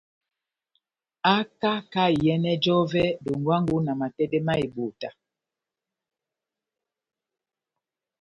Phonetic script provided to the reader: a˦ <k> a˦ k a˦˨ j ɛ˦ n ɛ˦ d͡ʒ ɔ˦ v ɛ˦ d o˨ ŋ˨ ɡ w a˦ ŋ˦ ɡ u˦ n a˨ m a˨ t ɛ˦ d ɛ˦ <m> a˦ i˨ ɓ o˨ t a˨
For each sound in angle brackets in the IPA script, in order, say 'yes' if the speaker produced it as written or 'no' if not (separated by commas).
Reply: yes, yes